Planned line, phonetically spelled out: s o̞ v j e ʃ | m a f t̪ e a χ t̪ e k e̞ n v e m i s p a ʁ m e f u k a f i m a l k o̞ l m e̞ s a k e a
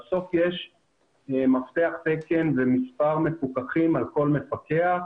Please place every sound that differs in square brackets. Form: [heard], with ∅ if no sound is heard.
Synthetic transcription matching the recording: s o̞ [f] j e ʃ | m a f t̪ e a χ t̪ e k e̞ n v e m i s p a ʁ m e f u k a [χ] i m a l k o̞ l m e̞ [f] a k e a